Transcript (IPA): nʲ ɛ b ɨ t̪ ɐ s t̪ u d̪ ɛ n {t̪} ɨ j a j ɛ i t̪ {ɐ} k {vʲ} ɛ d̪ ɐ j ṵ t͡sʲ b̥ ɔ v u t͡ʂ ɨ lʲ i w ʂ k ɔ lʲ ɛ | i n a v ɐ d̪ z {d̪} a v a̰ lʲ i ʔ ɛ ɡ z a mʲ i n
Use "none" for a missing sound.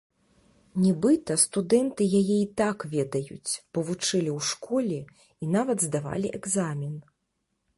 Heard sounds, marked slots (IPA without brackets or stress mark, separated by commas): t̪, a, vʲ, d̪